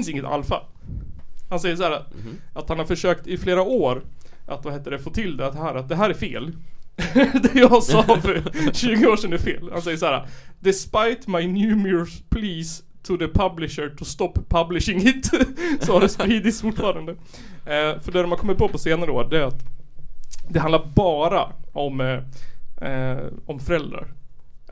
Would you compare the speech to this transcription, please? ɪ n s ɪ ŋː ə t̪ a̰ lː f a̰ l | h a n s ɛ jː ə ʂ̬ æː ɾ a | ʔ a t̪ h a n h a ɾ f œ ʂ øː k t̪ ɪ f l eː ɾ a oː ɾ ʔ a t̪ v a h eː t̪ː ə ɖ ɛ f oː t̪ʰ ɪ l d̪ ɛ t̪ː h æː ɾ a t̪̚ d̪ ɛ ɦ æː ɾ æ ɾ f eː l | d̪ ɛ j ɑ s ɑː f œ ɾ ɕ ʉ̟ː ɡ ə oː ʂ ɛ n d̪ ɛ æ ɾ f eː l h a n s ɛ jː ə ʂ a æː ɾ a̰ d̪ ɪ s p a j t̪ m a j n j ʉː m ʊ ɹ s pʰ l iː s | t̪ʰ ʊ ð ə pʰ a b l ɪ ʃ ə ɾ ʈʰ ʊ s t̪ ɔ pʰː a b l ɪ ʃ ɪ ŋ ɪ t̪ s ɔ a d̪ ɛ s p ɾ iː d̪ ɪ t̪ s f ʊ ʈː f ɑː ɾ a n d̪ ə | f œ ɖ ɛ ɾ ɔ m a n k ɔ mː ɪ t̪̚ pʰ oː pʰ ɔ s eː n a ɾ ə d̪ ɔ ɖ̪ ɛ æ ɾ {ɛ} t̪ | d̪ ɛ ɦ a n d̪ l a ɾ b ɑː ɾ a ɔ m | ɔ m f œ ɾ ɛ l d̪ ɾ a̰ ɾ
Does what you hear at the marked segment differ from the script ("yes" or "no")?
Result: yes